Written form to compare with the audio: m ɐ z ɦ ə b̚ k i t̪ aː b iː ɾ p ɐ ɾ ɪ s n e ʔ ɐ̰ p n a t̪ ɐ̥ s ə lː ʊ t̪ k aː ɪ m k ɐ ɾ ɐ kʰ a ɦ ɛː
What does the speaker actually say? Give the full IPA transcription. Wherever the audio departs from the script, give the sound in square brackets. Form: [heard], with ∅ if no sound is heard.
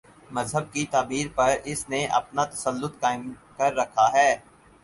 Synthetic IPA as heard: m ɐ z ɦ ə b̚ k i t̪ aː b iː ɾ p ɐ ɾ ɪ s n e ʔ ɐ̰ p n a t̪ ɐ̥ s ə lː ʊ t̪ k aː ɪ m k ɐ [ɾː] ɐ kʰ a ɦ ɛː